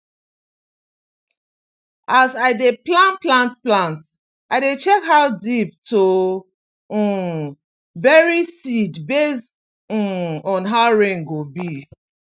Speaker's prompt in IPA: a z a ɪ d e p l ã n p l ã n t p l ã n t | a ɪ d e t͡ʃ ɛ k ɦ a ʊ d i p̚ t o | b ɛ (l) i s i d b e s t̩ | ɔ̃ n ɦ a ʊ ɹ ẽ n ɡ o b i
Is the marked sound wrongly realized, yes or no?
yes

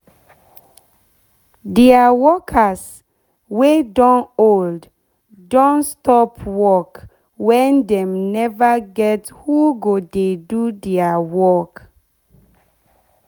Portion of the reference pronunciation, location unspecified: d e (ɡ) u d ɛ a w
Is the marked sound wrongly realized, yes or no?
yes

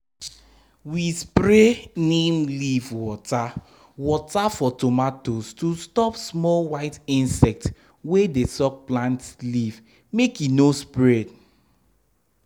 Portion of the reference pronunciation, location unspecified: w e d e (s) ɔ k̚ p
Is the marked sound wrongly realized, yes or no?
no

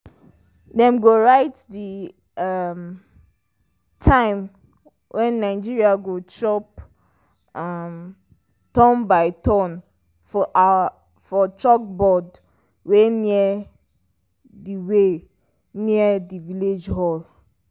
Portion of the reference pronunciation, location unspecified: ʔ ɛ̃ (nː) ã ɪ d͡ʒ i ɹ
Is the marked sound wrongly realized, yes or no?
no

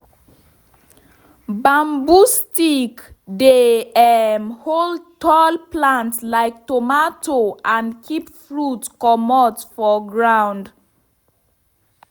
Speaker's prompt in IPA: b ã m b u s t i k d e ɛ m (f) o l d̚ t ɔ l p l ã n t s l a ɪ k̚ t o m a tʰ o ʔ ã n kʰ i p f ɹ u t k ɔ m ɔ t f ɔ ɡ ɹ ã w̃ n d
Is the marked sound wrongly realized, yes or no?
yes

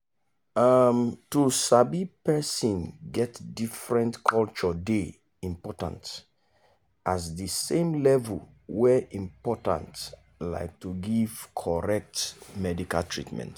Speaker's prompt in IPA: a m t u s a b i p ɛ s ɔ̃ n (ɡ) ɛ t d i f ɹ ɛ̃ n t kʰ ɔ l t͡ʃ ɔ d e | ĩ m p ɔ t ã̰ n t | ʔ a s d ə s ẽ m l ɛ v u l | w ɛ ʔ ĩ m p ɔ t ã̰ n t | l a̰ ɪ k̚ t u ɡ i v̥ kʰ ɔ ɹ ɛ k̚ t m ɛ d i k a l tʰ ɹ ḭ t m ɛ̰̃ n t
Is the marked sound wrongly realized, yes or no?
no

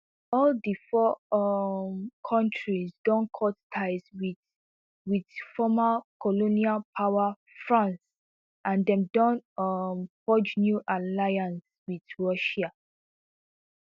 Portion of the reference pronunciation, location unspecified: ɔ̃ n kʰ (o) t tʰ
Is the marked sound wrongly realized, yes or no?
yes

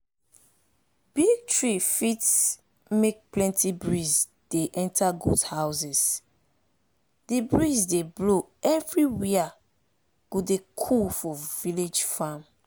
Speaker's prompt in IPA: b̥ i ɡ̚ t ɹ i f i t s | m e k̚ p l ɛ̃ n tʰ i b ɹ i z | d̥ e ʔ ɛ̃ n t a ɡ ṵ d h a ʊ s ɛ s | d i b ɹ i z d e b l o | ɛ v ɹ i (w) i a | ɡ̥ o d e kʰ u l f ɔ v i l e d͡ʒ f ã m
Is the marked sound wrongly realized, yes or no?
no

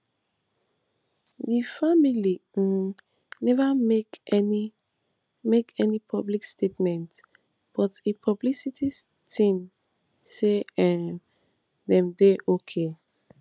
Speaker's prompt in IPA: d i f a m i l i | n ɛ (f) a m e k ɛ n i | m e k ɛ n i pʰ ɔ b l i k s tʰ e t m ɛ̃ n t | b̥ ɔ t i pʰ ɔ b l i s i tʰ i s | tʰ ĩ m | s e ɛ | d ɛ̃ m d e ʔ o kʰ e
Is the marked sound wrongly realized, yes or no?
yes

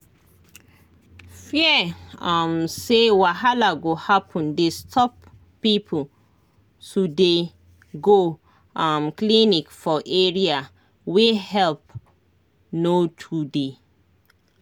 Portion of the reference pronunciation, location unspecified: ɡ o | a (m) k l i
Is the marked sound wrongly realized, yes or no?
no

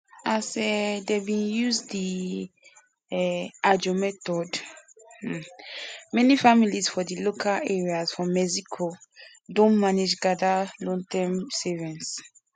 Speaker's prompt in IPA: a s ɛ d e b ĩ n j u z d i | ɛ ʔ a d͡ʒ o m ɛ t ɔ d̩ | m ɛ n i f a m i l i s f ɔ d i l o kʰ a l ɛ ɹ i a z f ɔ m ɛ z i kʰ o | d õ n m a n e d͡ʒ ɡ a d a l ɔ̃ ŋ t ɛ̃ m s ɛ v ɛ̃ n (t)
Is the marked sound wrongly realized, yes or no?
yes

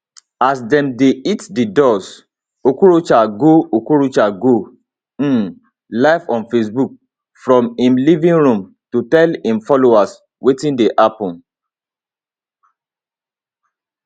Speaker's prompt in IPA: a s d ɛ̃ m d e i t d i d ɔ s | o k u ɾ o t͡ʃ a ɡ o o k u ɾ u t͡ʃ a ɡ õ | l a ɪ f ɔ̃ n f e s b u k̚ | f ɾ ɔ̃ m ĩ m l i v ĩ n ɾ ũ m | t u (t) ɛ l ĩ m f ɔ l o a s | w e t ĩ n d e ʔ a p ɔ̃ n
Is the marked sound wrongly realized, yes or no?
no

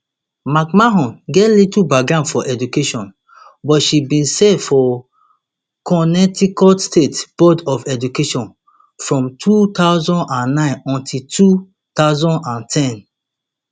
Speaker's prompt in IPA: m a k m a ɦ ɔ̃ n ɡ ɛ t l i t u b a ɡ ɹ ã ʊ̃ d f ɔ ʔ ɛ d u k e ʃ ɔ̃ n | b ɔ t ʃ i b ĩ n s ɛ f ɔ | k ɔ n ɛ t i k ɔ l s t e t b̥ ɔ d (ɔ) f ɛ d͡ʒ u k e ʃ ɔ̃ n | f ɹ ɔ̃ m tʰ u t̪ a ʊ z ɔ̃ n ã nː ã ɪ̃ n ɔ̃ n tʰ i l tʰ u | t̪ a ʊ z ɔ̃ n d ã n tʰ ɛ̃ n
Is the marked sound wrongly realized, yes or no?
no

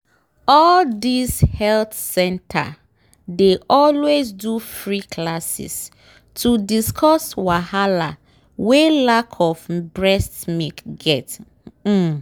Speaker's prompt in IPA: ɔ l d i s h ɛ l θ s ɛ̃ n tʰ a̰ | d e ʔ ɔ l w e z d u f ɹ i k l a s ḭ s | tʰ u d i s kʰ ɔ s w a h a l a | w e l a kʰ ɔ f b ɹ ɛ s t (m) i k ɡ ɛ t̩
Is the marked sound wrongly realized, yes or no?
no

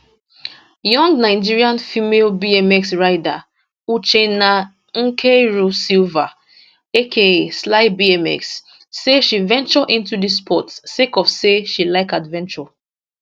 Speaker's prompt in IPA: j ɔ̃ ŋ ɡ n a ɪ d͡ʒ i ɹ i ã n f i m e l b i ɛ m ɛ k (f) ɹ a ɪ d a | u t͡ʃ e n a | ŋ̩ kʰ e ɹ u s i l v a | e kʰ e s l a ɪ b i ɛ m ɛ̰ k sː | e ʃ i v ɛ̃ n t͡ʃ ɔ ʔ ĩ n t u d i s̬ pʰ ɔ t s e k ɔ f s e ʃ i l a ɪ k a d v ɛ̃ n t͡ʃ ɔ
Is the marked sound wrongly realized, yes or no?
yes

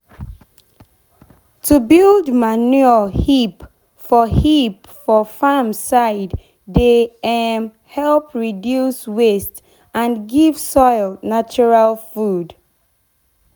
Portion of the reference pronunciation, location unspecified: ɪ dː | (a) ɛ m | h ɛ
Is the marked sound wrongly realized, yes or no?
yes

